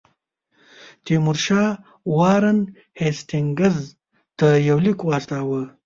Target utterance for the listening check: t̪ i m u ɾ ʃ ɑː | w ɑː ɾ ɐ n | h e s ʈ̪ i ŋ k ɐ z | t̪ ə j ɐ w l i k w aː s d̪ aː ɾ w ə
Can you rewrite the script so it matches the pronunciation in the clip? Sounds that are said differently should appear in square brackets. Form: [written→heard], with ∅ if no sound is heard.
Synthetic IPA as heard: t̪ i m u ɾ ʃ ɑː | w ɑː ɾ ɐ n | h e s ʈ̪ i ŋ [k→ɡ] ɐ z | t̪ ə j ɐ w l i k w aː s [d̪→t̪] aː [ɾ→∅] w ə

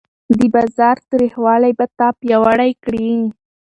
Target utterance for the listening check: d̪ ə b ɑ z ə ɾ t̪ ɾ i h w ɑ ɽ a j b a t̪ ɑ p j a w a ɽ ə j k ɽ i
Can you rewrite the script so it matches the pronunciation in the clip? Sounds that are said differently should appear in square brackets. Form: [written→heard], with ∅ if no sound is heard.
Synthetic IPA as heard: d̪ ə b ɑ z [ə→ɑ] ɾ t̪ ɾ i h w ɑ [ɽ→l] a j b a t̪ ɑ p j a w a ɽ [ə→a] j k ɽ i

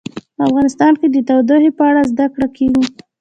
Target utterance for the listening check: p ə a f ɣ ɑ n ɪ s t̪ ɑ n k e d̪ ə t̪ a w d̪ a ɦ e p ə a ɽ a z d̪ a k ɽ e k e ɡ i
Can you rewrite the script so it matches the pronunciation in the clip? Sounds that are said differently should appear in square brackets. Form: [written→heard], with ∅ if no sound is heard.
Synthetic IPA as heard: p ə a f ɣ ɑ n ɪ s t̪ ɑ n k e d̪ ə t̪ a w d̪ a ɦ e p ə a ɽ a z d̪ a k ɽ [e→a] k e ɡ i

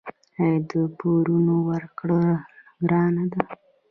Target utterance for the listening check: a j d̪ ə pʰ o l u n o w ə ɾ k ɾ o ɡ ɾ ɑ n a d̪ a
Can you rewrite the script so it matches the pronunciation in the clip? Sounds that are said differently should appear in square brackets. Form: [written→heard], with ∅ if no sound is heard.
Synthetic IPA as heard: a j d̪ ə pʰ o [l→ɾ] u n o w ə ɾ k [ɾ→ɽ] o ɡ ɾ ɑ n a d̪ a

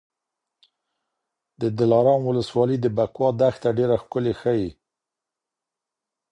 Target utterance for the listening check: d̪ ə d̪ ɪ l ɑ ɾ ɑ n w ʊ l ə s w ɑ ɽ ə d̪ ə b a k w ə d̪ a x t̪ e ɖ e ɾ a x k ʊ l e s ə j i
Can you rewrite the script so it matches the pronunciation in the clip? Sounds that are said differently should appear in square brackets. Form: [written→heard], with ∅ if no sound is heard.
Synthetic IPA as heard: d̪ ə d̪ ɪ l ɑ ɾ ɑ n w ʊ l ə s w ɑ [ɽ→l] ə d̪ ə b a k w [ə→ɑ] d̪ a x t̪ [e→a] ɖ e ɾ a x k ʊ l e [s→x] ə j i

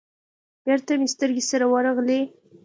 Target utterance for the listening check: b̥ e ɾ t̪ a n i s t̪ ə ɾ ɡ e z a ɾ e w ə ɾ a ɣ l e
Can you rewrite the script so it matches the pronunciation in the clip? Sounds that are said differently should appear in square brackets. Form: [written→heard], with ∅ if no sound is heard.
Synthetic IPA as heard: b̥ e ɾ t̪ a [n→m] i s t̪ ə ɾ ɡ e [z→s] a ɾ [e→a] w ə ɾ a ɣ l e

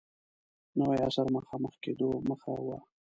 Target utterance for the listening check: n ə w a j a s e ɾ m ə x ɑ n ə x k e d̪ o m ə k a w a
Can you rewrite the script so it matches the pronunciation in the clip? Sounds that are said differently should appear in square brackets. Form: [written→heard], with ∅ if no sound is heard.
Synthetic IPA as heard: n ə w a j a s [e→a] ɾ m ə x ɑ [n→m] ə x k e d̪ o m ə [k→x] a w a

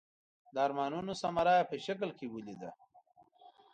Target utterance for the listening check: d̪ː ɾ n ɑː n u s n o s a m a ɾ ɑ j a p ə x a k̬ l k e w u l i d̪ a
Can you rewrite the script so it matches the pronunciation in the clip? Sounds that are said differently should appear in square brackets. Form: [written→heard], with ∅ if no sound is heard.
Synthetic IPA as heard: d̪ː ɾ [n→m] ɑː n u [s→∅] n o s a m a ɾ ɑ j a p ə [x→ʃ] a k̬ l k e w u l i d̪ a

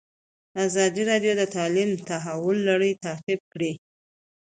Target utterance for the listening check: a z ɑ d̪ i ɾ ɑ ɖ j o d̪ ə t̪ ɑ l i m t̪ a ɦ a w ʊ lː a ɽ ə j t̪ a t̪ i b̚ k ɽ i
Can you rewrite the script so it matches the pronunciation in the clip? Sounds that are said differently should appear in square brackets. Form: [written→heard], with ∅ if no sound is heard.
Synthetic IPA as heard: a z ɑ d̪ i ɾ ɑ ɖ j o d̪ ə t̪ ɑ l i m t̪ a ɦ a w ʊ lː a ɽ ə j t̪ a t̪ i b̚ k ɽ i

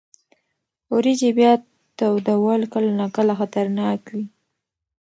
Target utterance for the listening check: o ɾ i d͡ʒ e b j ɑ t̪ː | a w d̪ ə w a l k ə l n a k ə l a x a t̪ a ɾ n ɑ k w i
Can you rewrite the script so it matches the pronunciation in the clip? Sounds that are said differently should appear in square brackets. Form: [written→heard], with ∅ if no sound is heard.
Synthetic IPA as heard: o ɾ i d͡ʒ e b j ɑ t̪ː | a w d̪ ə w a l k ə l n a k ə l a x a t̪ a ɾ n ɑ k w i

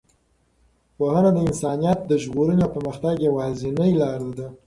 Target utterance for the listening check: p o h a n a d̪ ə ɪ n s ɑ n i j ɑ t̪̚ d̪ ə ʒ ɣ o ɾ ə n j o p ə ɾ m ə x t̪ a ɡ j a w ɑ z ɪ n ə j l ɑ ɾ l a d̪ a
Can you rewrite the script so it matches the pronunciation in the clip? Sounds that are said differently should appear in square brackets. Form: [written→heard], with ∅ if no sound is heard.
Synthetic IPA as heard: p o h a n a d̪ ə ɪ n s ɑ n i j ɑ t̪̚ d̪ ə ʒ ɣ o ɾ ə n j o p ə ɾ m ə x t̪ a ɡ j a w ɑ z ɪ n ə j l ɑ ɾ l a d̪ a

